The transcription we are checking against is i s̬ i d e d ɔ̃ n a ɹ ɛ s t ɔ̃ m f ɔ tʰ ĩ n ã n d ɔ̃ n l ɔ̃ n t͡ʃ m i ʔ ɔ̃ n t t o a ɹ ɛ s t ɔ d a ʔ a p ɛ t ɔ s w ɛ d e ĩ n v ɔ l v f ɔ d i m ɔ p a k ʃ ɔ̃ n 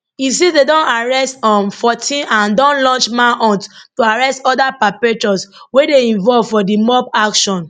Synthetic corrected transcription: i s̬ i d e d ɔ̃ n a ɹ ɛ s t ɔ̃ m f ɔ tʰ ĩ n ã n d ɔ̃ n l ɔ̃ n t͡ʃ m a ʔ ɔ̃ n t t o a ɹ ɛ s t ɔ d a p a p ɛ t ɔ s w e d e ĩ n v ɔ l v f ɔ d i m ɔ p a k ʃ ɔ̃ n